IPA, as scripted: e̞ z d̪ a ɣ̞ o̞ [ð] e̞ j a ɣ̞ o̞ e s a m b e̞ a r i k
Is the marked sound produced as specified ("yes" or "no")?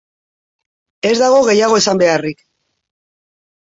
no